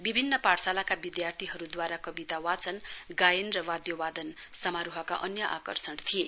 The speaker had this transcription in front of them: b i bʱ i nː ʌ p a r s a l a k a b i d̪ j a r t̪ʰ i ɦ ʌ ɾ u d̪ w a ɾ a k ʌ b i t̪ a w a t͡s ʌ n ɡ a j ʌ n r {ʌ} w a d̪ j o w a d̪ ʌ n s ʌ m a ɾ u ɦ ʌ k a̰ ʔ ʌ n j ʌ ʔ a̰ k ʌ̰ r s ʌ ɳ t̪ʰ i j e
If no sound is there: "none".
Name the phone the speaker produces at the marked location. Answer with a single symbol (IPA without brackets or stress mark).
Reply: ʌ